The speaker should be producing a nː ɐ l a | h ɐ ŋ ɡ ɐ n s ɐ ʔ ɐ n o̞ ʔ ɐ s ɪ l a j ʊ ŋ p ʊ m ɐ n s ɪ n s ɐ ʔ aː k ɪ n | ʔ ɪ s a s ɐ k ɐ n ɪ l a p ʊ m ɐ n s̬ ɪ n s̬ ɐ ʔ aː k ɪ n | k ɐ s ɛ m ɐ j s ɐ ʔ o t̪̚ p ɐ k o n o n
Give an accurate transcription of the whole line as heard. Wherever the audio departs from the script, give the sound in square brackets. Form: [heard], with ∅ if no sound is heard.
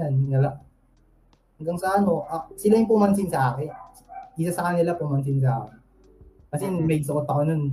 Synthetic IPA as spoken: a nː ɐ l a | h ɐ ŋ ɡ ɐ [ŋ] s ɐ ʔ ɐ n o̞ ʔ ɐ s ɪ l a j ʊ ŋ p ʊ m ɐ n s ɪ n s ɐ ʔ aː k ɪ n | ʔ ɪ s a s ɐ k ɐ n ɪ l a p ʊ m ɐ n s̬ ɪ n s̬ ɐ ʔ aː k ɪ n | k ɐ s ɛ m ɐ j s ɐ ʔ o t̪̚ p ɐ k o n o n